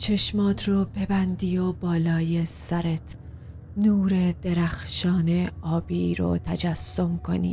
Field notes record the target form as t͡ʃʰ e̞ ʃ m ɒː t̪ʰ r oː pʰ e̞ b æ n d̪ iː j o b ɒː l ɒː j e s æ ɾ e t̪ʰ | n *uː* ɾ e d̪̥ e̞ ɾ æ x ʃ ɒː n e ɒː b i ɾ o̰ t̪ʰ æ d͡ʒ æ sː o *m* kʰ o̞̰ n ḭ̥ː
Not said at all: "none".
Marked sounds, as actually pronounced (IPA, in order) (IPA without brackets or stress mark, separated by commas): uː, m